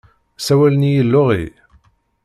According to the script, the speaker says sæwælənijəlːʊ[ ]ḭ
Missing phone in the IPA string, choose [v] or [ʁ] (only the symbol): ʁ